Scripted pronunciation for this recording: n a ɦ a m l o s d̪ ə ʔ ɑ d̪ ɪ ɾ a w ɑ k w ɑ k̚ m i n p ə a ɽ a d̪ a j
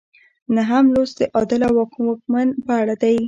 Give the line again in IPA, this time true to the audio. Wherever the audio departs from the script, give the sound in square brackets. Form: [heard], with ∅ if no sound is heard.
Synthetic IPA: n a ɦ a m l o s d̪ ə ʔ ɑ d̪ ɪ [l] a w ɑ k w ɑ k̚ m [a] n p ə a ɽ a d̪ a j